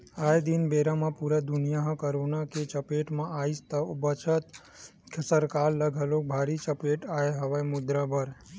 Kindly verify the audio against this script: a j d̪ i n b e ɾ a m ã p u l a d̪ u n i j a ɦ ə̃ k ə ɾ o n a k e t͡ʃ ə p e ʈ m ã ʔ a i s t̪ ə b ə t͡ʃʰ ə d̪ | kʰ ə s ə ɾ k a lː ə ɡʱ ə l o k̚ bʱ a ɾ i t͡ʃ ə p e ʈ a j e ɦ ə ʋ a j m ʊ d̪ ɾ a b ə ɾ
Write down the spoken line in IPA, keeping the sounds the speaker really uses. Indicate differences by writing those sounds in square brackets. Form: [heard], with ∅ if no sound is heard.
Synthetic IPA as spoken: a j d̪ i n b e ɾ a m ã p u [ɾ] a d̪ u n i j a ɦ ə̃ k ə ɾ o n a k e t͡ʃ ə p e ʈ m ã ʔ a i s t̪ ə b ə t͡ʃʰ ə [t̪] | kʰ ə s ə ɾ k a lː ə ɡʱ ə l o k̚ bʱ a ɾ i t͡ʃ ə p e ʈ a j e ɦ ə ʋ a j m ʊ d̪ ɾ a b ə ɾ